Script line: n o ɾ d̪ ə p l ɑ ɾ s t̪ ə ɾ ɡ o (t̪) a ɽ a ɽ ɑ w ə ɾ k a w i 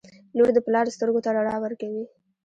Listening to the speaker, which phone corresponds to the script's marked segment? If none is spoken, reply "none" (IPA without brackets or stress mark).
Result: t̪